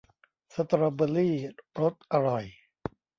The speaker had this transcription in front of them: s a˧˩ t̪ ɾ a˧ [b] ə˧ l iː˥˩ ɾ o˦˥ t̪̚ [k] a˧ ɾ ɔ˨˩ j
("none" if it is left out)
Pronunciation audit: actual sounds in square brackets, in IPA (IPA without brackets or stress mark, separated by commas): b, ʔ